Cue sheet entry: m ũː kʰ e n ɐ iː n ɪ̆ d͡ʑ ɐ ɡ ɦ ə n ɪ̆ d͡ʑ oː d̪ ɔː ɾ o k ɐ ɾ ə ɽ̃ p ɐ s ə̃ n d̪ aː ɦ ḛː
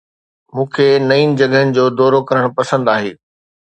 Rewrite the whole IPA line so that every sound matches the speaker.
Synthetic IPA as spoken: m ũː kʰ e n ɐ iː n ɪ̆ d͡ʑ ɐ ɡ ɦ ə n ɪ̆ d͡ʑ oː d̪ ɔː ɾ o k ɐ ɾ ə ɽ̃ p ɐ s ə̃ n d̪ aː ɦ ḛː